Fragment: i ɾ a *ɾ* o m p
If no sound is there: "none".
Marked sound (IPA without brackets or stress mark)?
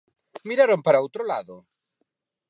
ɾ